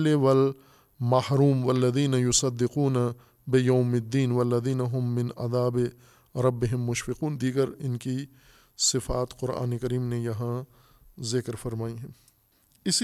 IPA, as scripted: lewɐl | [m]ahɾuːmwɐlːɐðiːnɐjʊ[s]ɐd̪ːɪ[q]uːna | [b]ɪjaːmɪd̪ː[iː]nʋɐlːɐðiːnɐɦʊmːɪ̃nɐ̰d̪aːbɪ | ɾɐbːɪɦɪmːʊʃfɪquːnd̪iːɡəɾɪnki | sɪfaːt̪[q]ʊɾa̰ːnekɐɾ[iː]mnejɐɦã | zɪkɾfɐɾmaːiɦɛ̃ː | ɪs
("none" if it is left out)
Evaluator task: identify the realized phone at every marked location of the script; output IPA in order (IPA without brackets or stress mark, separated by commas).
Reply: m, s, q, b, iː, q, iː